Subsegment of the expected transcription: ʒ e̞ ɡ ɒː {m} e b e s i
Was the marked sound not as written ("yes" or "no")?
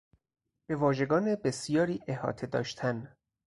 yes